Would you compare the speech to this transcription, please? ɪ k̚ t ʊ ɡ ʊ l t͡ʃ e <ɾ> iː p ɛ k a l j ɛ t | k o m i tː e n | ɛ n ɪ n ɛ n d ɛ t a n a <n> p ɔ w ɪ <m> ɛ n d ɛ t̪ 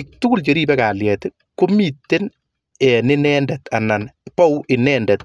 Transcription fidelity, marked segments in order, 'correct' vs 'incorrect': correct, correct, incorrect: n

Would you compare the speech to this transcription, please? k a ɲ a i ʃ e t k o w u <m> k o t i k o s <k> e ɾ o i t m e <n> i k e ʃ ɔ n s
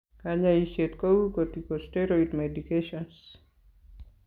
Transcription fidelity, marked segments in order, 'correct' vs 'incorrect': incorrect: none, incorrect: t, incorrect: d

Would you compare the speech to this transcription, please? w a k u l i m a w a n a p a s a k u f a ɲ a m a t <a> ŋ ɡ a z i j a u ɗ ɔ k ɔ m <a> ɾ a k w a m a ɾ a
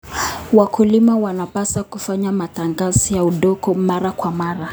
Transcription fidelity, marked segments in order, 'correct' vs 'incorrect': correct, correct

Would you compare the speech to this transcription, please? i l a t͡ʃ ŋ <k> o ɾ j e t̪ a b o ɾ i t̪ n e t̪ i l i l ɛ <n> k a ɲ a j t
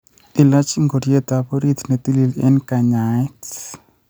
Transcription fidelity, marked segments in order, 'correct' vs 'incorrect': incorrect: ɡ, correct

